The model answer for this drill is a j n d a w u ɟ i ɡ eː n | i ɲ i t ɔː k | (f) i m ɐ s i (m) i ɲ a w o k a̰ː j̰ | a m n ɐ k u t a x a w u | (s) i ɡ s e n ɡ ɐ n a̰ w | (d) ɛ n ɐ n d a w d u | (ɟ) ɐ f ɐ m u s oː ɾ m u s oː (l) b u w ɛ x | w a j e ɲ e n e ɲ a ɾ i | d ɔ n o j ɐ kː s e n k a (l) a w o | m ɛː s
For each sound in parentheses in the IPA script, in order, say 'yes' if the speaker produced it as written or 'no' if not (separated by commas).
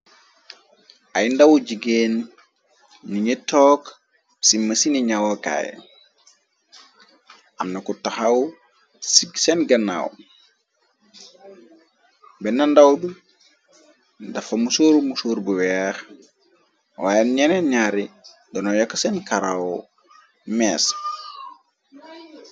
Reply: no, no, yes, no, no, no, no